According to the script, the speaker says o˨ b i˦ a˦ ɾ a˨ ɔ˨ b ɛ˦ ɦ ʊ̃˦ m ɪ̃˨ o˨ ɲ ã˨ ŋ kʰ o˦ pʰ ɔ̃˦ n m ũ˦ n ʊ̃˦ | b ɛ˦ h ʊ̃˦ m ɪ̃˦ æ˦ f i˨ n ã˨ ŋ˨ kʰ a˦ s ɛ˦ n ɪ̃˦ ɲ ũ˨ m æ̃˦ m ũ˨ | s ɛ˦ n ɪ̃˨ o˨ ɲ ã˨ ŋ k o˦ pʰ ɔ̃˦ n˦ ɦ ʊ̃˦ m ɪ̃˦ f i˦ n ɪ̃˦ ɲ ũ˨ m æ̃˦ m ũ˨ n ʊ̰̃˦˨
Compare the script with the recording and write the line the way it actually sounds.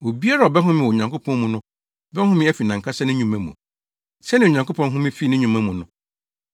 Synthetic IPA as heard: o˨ b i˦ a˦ ɾ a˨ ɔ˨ b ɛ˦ ɦ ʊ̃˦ m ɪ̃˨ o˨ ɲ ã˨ ŋ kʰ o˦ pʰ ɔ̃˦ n m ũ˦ n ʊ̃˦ | b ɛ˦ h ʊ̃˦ m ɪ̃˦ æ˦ f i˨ n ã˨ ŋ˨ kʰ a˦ s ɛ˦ n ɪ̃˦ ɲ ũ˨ m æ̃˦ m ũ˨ | s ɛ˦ n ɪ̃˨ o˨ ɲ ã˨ ŋ k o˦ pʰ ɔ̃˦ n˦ ɦ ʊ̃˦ m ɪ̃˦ f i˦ n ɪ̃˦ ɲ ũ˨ m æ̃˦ m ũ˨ n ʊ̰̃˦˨